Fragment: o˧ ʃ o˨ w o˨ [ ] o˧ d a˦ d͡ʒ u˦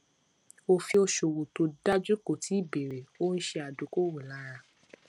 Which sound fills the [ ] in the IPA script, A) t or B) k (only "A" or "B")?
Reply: A